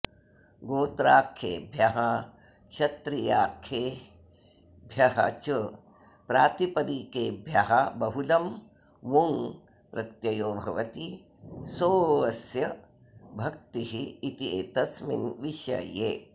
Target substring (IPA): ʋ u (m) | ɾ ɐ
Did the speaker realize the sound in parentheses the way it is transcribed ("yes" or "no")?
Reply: no